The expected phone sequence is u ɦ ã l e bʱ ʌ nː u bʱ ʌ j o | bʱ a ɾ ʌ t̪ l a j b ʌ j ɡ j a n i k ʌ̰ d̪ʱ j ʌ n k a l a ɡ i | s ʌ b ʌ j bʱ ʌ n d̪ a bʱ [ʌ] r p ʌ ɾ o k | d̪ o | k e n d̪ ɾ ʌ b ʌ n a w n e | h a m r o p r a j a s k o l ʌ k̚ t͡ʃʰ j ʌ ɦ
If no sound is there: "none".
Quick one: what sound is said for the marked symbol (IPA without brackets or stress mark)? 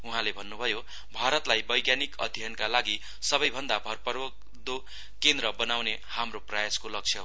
ʌ